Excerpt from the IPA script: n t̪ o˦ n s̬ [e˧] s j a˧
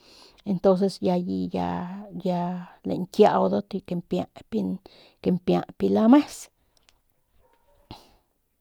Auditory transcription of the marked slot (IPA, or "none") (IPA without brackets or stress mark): e˧